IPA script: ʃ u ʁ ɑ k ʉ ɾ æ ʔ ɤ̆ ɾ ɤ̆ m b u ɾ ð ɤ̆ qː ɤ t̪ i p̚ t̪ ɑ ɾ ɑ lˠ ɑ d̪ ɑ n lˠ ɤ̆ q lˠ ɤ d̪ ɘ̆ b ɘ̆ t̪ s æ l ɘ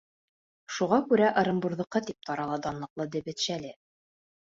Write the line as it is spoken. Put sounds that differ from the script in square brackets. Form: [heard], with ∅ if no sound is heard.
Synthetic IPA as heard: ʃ u ʁ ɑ k ʉ ɾ æ ʔ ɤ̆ ɾ ɤ̆ m b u ɾ ð ɤ̆ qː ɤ t̪ i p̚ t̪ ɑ ɾ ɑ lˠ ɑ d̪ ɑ n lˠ ɤ̆ q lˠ ɤ d̪ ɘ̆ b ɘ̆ t̪ [ʃ] æ l ɘ